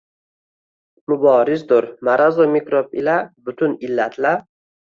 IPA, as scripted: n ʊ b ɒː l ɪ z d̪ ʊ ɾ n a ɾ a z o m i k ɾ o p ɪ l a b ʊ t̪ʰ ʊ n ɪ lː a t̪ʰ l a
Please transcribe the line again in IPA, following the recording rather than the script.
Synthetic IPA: m ʊ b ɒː ɾ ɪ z d̪ ʊ ɾ m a ɾ a z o m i k ɾ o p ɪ l a b ʊ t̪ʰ ʊ n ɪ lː a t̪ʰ l a

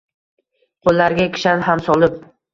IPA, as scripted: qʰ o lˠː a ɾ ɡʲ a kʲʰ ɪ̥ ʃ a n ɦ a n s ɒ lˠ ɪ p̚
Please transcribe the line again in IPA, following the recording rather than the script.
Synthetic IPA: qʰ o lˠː a ɾ ɡʲ a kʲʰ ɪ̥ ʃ a n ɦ a m s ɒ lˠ ɪ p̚

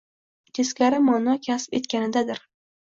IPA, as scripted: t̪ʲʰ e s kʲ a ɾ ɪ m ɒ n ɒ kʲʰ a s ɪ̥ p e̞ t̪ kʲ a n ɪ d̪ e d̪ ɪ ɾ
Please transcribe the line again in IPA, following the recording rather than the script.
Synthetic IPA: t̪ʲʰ e s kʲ a ɾ ɪ m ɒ n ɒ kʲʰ a s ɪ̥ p e̞ t̪ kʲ a n ɪ d̪ a d̪ ɪ ɾ

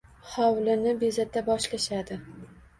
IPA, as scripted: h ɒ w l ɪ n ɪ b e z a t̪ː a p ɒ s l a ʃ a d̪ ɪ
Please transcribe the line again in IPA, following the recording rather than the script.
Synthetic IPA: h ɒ w l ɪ n ɪ b e z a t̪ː a b ɒ ʃ l a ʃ a d̪ ɪ

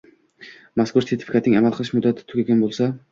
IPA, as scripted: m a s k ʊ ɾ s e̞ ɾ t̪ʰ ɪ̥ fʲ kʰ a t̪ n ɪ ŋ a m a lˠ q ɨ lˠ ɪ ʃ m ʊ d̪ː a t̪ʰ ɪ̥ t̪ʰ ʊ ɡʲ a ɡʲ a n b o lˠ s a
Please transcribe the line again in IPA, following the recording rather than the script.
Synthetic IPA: m a s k ʊ ɾ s e̞ ɾ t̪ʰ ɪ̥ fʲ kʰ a t̪ n ɪ ŋ a m a lˠ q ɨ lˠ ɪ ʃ m ʊ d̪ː a t̪ʰ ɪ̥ t̪ʰ ʊ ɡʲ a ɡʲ a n b o lˠ s a

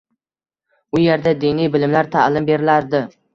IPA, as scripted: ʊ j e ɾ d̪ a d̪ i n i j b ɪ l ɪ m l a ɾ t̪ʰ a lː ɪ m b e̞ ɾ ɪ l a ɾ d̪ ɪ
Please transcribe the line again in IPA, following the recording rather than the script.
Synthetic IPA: ʊ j e ɾ d̪ a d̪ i n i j b ɪ l ɪ m l a ɾ t̪ʰ a l ɪ m b e̞ ɾ ɪ l a ɾ d̪ ɪ

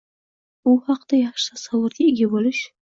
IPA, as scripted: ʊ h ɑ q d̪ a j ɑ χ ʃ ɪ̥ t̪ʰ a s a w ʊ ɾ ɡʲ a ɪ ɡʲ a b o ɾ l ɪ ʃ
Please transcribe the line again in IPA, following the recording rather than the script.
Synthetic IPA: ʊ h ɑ q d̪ a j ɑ χ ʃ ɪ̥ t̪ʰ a s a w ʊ ɾ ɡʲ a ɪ ɡʲ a b o l ɪ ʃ

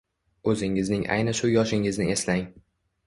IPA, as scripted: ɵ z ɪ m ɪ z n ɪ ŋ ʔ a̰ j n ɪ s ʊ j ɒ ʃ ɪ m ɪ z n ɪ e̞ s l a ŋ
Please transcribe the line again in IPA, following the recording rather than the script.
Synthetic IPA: ɵ z ɪ ŋ ɪ z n ɪ ŋ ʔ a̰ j n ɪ ʃ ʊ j ɒ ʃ ɪ ŋ ɪ z n ɪ e̞ s l a ŋ

